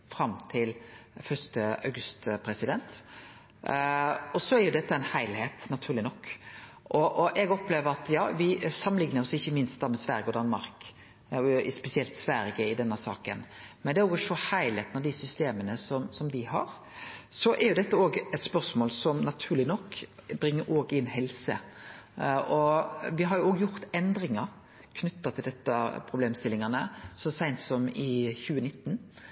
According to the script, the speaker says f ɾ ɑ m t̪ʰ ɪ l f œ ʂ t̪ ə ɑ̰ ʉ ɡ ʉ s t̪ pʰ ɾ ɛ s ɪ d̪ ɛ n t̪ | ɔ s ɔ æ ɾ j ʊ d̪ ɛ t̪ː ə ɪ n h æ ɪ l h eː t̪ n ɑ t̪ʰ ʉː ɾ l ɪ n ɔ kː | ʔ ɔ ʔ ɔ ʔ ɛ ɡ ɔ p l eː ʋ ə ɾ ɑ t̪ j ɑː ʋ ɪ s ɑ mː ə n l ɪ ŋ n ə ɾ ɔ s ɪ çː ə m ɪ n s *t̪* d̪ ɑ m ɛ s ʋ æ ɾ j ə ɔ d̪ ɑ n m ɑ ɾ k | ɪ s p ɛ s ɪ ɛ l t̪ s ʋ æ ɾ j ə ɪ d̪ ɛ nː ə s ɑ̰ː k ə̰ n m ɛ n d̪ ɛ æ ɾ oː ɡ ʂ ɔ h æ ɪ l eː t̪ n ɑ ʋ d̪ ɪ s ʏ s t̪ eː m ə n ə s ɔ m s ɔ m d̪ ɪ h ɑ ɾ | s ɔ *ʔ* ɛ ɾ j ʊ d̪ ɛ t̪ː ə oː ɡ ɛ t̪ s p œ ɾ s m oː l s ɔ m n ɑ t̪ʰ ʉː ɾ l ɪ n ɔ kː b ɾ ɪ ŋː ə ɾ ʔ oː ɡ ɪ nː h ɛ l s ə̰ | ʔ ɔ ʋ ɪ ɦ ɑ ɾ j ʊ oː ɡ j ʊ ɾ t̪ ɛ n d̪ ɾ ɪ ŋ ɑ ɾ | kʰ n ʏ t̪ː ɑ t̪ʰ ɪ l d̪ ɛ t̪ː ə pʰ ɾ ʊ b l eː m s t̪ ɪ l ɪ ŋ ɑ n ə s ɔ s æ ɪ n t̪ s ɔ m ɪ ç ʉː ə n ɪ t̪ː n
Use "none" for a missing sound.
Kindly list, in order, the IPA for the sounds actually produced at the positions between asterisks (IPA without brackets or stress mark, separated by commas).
t̪, ʔ